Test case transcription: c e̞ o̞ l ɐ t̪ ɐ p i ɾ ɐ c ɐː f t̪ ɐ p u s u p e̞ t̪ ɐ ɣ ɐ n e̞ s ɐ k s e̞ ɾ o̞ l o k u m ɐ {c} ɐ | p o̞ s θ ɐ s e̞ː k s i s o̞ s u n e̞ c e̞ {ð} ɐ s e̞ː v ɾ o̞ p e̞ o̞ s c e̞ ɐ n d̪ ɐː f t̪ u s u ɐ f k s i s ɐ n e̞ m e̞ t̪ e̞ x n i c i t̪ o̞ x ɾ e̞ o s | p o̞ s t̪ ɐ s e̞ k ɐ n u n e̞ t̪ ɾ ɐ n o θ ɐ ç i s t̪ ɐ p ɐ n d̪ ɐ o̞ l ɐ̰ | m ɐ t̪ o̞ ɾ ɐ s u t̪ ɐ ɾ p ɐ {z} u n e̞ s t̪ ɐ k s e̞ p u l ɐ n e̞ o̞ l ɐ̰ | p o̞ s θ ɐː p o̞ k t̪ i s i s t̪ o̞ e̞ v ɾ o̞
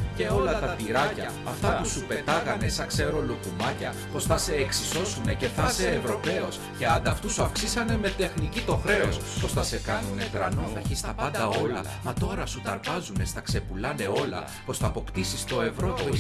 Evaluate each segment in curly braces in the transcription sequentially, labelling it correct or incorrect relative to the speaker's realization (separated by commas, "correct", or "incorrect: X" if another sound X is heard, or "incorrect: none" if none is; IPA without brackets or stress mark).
correct, incorrect: θ, correct